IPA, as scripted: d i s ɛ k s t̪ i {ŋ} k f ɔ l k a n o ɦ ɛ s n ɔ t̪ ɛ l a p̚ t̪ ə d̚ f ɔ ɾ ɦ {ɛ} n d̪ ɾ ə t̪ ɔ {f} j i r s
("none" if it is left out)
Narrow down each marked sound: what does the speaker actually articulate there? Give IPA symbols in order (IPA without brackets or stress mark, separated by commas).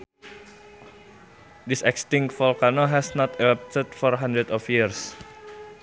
ŋ, a, f